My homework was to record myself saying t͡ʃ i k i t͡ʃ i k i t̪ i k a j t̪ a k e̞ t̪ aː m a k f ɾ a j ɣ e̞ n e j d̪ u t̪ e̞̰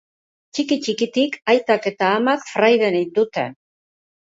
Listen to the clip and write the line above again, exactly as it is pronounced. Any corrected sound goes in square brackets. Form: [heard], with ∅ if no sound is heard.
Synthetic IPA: t͡ʃ i k i t͡ʃ i k i t̪ i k a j t̪ a k e̞ t̪ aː m a k f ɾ a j [ð] e̞ n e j d̪ u t̪ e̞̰